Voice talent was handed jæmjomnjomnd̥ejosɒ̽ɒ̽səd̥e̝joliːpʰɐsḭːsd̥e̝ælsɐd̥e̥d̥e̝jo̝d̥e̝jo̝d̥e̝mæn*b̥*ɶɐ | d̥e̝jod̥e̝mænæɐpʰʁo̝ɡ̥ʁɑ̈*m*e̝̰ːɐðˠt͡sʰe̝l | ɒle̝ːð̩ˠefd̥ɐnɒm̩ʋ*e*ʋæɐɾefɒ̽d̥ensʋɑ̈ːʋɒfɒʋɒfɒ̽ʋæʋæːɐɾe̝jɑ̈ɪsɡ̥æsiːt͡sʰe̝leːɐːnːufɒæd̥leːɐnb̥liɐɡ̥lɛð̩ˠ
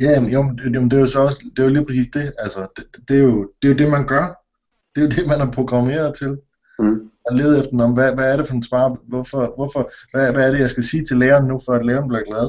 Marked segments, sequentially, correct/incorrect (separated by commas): incorrect, correct, incorrect